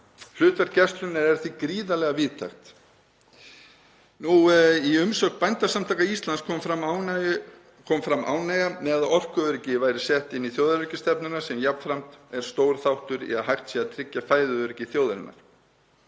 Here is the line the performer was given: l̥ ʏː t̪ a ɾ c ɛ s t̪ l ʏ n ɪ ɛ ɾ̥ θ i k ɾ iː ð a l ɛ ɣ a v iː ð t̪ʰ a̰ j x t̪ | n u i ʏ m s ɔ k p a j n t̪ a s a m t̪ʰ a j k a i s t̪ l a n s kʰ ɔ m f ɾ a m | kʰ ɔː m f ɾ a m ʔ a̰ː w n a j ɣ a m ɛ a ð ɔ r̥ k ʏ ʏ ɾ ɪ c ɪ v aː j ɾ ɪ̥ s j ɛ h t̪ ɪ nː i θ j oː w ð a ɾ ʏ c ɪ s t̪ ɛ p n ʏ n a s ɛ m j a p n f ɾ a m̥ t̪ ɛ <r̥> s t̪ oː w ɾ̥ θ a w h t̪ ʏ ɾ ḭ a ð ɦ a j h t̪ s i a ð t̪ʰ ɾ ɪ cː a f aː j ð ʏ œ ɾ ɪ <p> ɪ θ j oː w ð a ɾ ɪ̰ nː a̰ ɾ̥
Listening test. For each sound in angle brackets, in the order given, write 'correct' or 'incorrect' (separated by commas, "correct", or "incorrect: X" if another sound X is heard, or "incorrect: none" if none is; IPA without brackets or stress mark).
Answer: incorrect: ɾ̥, incorrect: c